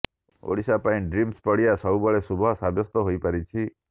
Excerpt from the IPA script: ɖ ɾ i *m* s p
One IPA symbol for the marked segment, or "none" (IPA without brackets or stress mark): m